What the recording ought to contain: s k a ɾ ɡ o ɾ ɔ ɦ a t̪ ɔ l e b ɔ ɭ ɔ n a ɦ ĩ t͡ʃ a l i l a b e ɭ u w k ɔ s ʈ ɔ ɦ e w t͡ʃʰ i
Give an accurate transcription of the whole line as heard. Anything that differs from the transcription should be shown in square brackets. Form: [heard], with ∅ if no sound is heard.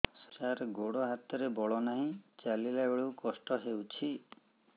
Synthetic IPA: s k a ɾ ɡ o [ɽ] ɔ ɦ a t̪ ɔ [ɾ] e b ɔ ɭ ɔ n a ɦ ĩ t͡ʃ a l i l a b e ɭ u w k ɔ s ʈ ɔ ɦ e w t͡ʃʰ i